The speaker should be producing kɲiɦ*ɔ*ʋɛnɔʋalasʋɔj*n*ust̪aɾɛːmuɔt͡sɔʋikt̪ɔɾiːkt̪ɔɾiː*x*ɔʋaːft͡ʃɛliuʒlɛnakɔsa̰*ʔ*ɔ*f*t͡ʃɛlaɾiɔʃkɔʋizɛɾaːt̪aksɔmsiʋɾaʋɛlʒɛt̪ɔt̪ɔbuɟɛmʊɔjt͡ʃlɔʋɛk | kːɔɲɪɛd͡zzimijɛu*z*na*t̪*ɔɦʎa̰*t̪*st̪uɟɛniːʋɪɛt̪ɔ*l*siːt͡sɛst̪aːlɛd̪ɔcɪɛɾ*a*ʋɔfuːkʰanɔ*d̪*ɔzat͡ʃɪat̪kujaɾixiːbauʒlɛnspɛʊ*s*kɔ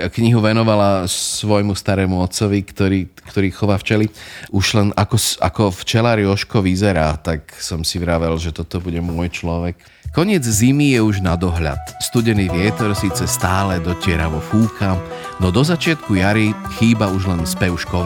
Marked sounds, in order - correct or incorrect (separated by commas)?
incorrect, incorrect, correct, incorrect, correct, incorrect, incorrect, correct, incorrect, correct, correct, incorrect